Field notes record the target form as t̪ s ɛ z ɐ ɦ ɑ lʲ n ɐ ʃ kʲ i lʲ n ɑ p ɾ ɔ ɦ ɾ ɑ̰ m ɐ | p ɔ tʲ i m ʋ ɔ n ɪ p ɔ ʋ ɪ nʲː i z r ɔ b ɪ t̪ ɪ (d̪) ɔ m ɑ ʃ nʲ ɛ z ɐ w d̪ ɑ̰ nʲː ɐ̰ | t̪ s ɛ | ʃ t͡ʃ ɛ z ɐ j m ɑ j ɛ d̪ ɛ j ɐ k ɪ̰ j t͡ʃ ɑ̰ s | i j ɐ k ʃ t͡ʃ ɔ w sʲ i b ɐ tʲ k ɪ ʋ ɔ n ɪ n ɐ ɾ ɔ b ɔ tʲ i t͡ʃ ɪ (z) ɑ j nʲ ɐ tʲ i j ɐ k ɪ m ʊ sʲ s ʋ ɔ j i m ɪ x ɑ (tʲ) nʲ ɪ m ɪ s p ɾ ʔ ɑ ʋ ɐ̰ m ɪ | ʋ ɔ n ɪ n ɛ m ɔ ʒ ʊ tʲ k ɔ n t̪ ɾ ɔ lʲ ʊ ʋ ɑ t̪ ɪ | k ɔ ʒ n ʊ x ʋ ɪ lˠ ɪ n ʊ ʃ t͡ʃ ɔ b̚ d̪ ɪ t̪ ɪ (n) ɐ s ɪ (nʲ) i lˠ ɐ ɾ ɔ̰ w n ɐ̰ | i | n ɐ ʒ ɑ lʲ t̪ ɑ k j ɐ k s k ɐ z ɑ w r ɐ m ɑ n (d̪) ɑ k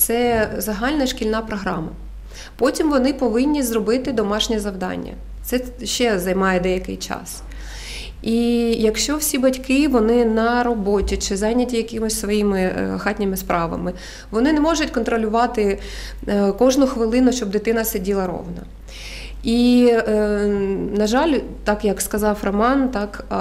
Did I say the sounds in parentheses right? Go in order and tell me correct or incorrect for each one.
correct, correct, correct, correct, incorrect: dʲ, incorrect: t̪

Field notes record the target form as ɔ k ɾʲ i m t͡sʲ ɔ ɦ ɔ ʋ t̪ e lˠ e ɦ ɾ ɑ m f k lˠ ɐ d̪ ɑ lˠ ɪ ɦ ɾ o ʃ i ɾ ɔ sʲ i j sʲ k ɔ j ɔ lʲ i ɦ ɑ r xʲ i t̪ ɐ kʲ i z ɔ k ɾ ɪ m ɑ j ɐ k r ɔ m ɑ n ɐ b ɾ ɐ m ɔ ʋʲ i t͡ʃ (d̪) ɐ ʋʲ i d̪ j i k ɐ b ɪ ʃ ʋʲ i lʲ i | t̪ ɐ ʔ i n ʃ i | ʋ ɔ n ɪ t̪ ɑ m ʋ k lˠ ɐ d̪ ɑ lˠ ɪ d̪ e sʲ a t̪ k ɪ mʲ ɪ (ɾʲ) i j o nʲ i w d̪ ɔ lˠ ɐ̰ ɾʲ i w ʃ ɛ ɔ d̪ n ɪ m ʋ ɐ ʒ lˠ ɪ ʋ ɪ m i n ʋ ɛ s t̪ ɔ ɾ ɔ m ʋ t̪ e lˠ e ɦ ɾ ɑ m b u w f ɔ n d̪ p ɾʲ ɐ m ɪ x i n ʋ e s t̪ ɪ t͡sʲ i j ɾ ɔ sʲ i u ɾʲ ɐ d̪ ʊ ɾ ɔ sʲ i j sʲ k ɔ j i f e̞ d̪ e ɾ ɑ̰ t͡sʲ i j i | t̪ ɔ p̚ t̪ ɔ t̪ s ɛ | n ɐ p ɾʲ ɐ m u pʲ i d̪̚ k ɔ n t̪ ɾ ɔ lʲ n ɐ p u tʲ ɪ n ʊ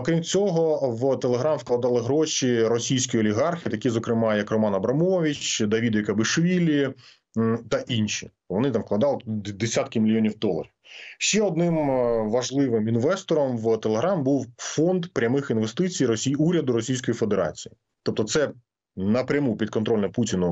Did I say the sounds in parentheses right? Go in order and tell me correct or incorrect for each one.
correct, incorrect: lʲ

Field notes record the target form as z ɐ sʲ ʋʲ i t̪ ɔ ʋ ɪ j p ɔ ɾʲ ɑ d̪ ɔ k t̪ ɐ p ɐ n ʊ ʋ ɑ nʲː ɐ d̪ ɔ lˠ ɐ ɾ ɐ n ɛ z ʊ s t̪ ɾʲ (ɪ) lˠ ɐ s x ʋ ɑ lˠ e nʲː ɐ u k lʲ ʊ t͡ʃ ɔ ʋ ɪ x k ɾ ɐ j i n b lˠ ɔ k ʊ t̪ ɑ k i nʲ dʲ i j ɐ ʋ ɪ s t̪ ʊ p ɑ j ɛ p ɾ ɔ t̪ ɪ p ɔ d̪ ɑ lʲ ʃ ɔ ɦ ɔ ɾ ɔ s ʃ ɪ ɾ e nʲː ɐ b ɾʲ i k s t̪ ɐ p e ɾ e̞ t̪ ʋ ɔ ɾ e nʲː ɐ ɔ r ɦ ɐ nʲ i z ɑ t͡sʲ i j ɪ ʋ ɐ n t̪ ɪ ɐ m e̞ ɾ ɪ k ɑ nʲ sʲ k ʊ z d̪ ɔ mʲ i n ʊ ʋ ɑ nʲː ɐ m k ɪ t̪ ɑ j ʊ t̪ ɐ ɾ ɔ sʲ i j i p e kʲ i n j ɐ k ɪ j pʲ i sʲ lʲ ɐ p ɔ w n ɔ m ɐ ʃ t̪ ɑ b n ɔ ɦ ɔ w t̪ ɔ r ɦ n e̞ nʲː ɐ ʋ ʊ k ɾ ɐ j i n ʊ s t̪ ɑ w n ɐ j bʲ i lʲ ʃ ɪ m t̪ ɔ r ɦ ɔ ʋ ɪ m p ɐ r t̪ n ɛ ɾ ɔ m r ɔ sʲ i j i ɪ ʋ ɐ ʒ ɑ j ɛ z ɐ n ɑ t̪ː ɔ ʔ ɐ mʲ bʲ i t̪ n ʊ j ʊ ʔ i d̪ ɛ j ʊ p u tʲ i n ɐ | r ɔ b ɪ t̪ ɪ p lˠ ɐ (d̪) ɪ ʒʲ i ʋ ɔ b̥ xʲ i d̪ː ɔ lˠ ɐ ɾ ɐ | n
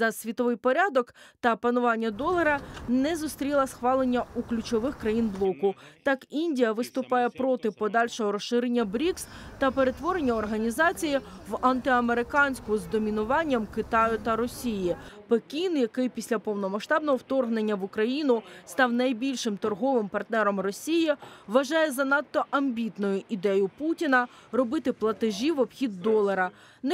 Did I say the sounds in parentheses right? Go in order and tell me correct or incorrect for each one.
incorrect: i, incorrect: t̪

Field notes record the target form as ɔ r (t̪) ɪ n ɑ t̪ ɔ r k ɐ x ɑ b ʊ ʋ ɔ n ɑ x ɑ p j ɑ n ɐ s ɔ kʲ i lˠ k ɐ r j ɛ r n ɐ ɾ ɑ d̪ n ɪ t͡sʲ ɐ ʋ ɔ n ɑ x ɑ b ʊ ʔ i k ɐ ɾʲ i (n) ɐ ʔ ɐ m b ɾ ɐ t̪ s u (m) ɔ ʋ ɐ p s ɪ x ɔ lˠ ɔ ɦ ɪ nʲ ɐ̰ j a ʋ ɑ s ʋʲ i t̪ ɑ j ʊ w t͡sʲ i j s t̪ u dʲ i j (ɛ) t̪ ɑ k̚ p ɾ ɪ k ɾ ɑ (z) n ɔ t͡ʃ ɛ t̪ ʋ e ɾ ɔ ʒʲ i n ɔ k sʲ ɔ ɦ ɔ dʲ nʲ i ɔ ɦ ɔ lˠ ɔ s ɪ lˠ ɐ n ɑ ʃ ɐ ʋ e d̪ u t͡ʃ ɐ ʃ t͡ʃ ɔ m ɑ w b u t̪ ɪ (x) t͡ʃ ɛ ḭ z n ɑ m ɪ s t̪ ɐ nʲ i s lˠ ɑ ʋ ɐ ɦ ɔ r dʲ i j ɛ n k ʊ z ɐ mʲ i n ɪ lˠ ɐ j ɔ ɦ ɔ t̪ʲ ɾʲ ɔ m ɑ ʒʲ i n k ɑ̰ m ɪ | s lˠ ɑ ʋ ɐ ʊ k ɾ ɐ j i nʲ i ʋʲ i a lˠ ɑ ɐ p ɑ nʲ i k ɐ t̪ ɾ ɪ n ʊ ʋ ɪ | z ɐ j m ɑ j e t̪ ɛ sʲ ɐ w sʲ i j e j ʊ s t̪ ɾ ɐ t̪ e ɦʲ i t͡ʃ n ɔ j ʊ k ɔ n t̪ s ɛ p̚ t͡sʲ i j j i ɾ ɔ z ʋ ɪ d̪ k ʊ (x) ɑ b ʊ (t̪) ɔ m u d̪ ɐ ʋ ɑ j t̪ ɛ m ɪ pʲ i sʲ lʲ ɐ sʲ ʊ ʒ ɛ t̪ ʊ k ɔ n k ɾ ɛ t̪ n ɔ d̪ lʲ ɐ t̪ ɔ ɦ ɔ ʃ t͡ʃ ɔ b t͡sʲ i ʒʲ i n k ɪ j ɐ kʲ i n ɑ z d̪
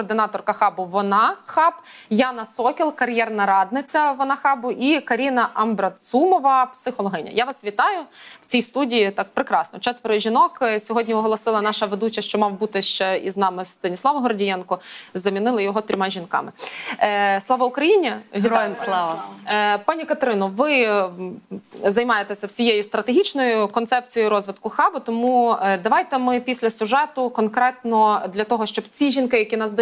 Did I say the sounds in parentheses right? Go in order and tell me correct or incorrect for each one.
incorrect: d̪, correct, correct, incorrect: i, incorrect: s, incorrect: ʃ, correct, correct

